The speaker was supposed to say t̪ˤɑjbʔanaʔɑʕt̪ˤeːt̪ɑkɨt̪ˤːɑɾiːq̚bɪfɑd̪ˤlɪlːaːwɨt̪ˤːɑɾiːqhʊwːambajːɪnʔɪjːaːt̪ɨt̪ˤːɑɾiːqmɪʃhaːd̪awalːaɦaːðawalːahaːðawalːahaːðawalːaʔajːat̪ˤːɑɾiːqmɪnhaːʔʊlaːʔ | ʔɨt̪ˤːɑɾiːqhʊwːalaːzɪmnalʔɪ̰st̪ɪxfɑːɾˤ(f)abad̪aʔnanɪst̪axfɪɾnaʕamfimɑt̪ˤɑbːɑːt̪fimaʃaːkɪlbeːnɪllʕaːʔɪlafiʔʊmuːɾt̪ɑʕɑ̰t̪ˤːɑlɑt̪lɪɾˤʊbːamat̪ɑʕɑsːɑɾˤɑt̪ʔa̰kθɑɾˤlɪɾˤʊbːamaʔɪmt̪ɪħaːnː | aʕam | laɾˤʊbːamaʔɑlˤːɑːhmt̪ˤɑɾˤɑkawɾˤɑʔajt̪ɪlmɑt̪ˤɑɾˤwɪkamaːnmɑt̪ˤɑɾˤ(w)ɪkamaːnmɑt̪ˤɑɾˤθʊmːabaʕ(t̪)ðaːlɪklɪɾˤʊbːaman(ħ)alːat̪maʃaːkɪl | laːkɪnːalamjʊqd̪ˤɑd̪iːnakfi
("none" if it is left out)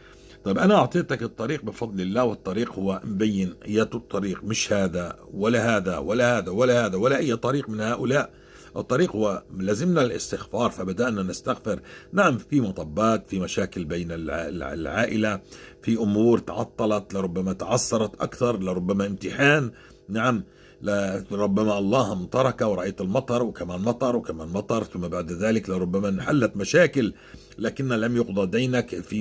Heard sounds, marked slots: f, w, d̪, ħ

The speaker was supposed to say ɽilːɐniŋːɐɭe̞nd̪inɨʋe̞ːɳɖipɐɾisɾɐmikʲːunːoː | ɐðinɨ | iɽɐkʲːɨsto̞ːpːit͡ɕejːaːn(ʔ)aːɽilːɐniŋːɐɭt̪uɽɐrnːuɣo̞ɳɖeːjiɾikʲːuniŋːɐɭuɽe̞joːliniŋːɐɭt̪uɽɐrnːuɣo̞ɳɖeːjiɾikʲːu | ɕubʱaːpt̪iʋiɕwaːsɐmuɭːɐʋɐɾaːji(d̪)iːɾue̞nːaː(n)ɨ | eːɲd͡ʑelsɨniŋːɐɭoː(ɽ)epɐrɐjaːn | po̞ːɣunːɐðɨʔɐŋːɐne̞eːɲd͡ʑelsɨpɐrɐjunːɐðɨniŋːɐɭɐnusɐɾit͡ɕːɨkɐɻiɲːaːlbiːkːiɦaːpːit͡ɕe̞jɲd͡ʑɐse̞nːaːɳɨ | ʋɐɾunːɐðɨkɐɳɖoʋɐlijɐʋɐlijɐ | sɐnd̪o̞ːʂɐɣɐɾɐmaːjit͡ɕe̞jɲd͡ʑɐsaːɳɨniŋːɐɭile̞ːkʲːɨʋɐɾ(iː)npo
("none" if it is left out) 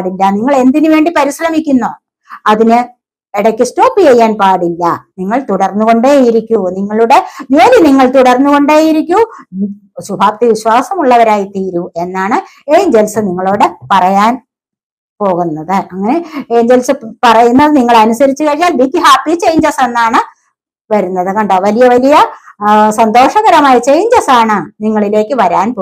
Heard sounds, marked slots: p, t̪, ɳ, ɽ, aː

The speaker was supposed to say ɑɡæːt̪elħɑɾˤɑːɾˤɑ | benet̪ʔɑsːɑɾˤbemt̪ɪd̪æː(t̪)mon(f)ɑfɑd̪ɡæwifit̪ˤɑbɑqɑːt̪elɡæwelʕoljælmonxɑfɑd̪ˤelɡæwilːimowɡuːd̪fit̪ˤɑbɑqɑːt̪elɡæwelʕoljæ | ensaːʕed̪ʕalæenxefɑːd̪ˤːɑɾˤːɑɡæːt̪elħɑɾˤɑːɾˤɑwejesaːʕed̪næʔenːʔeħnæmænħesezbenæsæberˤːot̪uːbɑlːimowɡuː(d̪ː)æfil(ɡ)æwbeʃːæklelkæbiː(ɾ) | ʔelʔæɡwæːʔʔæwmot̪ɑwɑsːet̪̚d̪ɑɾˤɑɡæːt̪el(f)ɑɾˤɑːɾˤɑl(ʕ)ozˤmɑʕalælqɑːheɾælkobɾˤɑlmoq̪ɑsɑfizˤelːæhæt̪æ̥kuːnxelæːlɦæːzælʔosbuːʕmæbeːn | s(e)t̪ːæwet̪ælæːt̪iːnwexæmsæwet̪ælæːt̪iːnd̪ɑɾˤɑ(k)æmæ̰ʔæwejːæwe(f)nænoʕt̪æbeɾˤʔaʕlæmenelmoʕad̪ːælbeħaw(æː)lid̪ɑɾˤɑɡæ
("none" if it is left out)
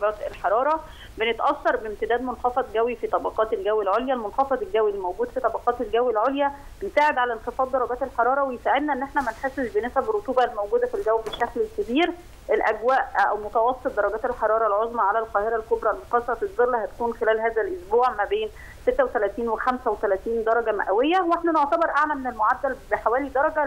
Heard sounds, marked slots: d̪, x, d̪, ɡ, ɾ, ħ, ʕ, e, ɡ, ħ, æː

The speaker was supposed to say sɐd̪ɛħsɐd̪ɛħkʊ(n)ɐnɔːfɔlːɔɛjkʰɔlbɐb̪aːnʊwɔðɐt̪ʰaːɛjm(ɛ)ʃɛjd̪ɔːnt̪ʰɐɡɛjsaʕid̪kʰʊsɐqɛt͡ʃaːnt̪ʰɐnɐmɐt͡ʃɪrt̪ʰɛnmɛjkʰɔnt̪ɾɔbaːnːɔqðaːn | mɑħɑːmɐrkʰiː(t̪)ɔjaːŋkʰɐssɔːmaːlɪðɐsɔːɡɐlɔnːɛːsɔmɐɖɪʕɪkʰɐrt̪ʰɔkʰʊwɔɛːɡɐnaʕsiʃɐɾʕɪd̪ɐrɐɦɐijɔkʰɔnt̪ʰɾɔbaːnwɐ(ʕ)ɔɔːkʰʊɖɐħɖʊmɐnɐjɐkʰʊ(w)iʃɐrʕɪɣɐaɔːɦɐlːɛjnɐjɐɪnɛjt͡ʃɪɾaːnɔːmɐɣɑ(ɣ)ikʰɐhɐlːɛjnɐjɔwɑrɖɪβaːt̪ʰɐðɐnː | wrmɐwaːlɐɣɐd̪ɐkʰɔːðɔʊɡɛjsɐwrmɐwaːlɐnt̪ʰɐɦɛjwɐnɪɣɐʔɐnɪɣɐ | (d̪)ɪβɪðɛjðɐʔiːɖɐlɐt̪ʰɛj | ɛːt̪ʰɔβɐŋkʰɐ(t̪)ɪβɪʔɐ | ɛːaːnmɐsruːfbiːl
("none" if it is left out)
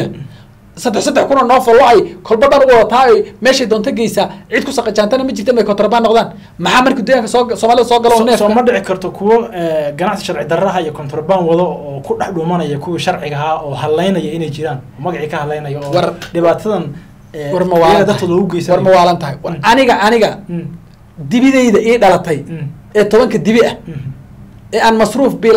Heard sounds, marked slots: n, ɛː, d̪, ð, w, ʕ, d̪, d̪

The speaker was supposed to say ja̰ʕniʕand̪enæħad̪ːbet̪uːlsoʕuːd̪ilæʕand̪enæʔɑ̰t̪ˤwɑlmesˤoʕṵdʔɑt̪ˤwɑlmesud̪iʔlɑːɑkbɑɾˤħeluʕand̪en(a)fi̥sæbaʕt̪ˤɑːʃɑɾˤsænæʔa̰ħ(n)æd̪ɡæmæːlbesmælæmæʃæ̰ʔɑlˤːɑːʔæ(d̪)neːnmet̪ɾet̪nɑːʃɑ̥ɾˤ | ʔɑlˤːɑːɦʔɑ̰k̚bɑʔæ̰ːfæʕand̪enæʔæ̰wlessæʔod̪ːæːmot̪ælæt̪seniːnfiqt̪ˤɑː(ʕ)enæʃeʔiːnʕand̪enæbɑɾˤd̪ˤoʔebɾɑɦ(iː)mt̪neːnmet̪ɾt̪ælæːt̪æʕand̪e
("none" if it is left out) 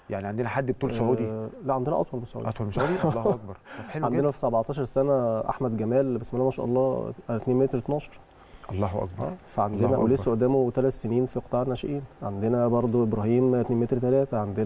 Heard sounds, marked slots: æ, m, t̪, ʕ, iː

